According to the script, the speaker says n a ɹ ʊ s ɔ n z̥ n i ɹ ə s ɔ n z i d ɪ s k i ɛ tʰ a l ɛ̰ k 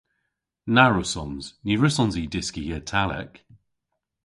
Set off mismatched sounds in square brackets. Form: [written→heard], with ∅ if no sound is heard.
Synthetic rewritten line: n a ɹ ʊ s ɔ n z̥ n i ɹ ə s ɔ n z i d ɪ s k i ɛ tʰ a l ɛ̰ k